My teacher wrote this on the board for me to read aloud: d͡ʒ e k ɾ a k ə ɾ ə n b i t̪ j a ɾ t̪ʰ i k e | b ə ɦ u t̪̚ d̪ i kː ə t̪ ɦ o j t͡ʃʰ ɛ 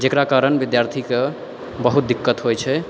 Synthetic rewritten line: d͡ʒ e k ɾ a k a ɾ ə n b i d̪ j a ɾ t̪ʰ i k e | b ə ɦ u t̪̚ d̪ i kː ə t̪ ɦ o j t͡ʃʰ ɛ